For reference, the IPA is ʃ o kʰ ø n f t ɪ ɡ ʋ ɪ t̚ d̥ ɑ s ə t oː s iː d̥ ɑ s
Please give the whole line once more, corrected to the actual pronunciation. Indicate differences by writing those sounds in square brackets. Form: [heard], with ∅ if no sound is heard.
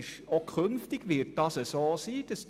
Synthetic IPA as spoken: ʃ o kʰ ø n f t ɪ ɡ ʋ ɪ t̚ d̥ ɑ s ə [s] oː s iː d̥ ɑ s